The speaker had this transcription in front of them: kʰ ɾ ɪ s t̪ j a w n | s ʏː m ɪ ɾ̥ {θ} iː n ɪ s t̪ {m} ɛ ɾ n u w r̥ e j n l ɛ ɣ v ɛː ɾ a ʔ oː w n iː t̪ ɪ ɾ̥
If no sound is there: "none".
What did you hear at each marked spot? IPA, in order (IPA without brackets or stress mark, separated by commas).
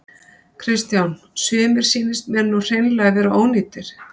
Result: s, m